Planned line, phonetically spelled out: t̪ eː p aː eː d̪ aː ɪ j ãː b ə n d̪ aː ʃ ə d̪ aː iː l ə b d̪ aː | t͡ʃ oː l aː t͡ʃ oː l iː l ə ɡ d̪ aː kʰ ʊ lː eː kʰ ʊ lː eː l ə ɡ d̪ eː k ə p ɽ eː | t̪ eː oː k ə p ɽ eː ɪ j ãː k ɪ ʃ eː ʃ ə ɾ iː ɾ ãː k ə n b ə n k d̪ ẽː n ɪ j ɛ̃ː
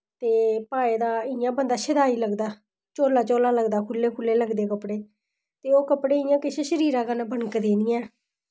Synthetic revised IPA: t̪ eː p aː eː d̪ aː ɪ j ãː b ə n d̪ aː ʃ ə d̪ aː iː l ə ɡ d̪ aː | t͡ʃ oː l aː t͡ʃ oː l aː l ə ɡ d̪ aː kʰ ʊ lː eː kʰ ʊ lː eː l ə ɡ d̪ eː k ə p ɽ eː | t̪ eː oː k ə p ɽ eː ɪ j ãː k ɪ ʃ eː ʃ ə ɾ iː ɾ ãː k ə n b ə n k d̪ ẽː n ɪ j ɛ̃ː